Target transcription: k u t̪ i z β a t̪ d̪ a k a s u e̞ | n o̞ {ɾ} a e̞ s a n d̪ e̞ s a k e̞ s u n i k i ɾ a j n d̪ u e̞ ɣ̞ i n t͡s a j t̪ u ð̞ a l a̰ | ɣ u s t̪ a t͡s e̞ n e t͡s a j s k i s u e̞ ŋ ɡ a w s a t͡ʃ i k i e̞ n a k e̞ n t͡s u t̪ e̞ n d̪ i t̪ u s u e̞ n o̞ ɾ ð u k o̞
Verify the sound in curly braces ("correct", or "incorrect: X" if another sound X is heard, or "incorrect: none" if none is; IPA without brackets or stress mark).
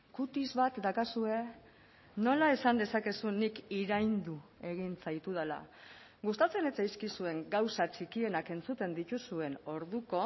incorrect: l